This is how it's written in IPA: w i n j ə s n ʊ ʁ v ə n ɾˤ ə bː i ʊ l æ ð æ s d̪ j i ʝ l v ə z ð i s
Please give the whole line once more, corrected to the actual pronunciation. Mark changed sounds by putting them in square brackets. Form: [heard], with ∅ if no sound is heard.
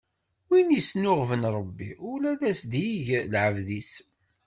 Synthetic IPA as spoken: w i n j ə s n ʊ ʁ v ə n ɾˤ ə bː i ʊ l æ ð æ s d̪ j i ʝ l [ʕ] ə [v] ð i s